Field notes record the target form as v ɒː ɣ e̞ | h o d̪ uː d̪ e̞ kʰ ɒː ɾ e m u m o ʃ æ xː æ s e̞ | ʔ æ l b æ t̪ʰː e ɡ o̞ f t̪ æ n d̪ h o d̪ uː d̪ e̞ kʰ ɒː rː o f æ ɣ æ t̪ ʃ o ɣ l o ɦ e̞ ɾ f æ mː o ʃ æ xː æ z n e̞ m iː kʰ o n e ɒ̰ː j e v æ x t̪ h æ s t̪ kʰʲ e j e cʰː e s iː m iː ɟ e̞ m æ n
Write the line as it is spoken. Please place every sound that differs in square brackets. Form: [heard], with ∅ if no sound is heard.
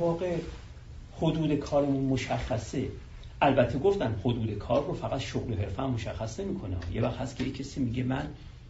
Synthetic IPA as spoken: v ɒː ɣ e̞ | h o d̪ uː d̪ e̞ kʰ ɒː ɾ e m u m o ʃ æ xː æ s e̞ | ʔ æ l b æ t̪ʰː e ɡ o̞ f t̪ æ n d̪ h o d̪ uː d̪ e̞ kʰ ɒː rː o f æ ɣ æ t̪ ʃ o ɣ l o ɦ e̞ ɾ f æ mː o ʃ æ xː æ [s] n e̞ m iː kʰ o n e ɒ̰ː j e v æ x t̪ h æ s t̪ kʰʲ e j e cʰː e s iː m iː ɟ e̞ m æ n